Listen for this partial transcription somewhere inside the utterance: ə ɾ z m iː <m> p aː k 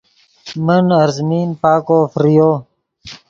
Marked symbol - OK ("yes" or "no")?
no